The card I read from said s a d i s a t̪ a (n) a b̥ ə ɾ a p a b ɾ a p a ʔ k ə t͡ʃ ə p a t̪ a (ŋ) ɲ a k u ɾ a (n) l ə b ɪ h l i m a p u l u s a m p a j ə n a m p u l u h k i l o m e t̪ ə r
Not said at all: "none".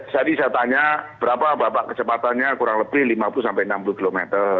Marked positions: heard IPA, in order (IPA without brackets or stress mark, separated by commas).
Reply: ɲ, n, ŋ